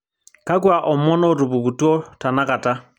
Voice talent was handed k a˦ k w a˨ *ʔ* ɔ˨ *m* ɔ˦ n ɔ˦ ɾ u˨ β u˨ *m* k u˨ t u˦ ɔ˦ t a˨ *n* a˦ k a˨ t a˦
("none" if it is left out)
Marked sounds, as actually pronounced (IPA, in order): ʔ, m, none, n

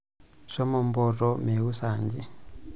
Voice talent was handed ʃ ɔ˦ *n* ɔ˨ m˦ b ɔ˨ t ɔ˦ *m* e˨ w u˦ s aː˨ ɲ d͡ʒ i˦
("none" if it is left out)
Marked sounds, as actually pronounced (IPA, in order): m, m

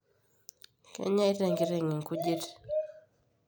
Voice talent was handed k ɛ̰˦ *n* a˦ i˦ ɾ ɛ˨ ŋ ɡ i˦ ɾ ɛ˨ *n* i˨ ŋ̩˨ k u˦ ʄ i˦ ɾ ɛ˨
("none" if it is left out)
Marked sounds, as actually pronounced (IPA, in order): ɲ, ŋ

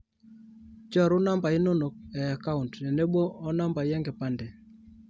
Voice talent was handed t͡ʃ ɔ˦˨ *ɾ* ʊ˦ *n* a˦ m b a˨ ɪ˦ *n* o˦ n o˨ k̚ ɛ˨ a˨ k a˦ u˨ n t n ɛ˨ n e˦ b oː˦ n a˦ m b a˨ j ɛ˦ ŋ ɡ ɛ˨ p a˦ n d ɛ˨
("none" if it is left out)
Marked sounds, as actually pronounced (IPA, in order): ɾ, n, n

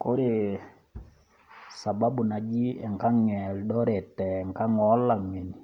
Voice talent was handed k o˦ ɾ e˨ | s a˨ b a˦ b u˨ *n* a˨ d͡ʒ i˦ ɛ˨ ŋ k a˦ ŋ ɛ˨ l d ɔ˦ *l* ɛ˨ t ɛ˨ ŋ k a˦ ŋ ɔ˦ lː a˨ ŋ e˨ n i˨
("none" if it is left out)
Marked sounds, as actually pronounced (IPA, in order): n, ɾ

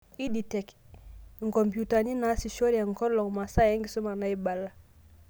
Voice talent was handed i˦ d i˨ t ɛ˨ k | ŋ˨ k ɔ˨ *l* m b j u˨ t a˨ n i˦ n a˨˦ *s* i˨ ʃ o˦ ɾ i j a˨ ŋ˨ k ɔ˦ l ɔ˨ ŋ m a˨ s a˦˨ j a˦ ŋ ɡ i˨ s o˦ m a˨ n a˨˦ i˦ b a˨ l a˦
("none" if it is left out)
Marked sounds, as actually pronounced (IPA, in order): none, s

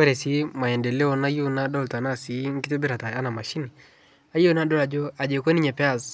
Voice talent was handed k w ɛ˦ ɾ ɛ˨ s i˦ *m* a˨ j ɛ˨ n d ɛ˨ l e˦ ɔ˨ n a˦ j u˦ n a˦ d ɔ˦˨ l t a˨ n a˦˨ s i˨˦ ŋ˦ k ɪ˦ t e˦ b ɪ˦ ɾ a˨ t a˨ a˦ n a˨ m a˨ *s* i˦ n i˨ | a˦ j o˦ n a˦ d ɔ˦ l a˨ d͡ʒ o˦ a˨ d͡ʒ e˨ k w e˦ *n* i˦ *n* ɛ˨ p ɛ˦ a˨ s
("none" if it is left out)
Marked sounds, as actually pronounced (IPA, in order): m, ʃ, n, ɲ

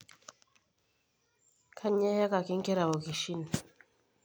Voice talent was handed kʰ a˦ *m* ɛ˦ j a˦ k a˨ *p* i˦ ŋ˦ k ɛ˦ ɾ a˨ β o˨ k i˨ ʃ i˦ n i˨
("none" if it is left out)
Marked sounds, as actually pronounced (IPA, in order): ɲ, k

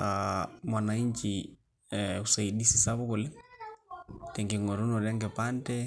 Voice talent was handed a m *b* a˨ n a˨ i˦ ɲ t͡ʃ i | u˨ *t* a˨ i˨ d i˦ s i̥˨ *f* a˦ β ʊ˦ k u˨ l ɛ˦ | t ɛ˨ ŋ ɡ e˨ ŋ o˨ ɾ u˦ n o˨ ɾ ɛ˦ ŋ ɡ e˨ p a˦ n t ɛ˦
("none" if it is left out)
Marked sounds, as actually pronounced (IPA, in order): w, s, s

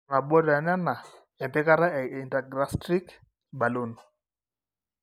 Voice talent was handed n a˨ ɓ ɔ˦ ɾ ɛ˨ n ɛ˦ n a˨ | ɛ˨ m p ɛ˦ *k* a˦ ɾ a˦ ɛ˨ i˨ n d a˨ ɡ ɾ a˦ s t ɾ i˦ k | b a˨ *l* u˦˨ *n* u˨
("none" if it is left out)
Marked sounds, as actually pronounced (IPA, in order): k, l, n

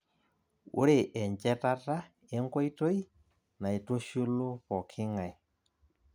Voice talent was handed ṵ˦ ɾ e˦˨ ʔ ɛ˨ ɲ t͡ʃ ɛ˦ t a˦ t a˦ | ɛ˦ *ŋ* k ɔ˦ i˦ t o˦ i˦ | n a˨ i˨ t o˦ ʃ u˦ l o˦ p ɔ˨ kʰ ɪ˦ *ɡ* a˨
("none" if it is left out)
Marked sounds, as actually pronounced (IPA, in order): ŋ, ŋ

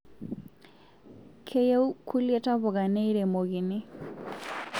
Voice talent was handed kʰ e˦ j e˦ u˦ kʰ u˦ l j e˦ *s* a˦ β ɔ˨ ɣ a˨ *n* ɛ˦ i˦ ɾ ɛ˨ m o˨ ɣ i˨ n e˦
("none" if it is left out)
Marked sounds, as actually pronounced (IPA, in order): t, n

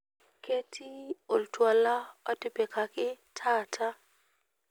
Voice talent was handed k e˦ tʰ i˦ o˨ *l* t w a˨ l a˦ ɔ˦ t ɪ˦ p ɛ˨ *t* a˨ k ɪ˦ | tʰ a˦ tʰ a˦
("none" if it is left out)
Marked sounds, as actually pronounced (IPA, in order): l, k

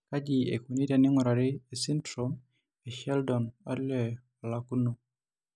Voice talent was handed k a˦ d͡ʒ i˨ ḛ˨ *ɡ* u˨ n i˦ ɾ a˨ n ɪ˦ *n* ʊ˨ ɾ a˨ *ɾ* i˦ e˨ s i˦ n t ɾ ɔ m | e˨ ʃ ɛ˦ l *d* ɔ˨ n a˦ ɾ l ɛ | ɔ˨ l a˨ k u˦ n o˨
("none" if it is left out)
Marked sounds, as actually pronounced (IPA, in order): k, ŋ, ɾ, d

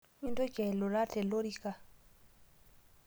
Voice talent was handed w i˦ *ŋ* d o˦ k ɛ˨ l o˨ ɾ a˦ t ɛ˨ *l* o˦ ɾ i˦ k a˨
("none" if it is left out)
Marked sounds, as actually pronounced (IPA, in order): n, l

